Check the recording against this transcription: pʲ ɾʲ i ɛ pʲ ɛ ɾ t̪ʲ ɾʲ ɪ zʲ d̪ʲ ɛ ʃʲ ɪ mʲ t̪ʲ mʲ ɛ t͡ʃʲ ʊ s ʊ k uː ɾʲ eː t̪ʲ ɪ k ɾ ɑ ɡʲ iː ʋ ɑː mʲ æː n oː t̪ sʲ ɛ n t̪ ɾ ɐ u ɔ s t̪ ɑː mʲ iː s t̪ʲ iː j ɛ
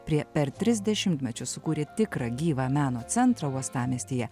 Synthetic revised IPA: pʲ ɾʲ i ɛ pʲ ɛ ɾ t̪ʲ ɾʲ ɪ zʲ d̪ʲ ɛ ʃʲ ɪ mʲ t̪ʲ mʲ ɛ t͡ʃʲ ʊ s ʊ k uː ɾʲ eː t̪ʲ ɪ k ɾ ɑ ɡʲ iː ʋ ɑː mʲ æː n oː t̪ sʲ ɛ n t̪ ɾ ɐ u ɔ s t̪ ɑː mʲ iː s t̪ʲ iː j ɛ